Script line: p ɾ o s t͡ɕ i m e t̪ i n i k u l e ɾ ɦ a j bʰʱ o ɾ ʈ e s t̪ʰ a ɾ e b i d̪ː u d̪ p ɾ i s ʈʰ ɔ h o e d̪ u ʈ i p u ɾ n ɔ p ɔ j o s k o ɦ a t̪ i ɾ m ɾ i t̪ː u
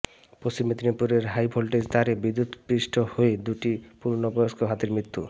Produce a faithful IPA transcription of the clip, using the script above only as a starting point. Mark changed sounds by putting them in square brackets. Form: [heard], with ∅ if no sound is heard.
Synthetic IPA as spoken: p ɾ o s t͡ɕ i m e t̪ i n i [p] u [ɾ] e ɾ ɦ a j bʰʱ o [l] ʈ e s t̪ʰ a ɾ e b i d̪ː u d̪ p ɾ i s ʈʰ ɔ h o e d̪ u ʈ i p u ɾ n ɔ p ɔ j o s k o ɦ a t̪ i ɾ m ɾ i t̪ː u